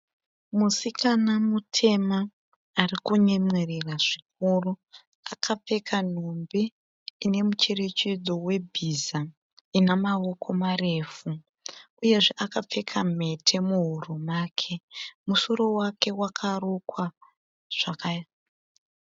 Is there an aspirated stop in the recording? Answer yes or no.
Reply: yes